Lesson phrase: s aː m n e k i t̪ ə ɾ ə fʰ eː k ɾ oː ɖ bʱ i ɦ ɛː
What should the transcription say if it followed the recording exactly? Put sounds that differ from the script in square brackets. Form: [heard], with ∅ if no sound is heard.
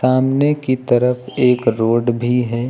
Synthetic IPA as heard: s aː m n e k i t̪ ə ɾ ə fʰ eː k ɾ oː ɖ bʱ i ɦ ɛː